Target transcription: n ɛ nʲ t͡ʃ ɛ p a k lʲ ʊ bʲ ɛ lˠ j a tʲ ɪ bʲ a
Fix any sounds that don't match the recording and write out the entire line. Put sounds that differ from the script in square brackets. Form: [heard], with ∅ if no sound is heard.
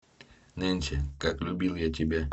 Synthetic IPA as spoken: n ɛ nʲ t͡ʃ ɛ [k] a k lʲ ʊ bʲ [i] lˠ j a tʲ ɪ bʲ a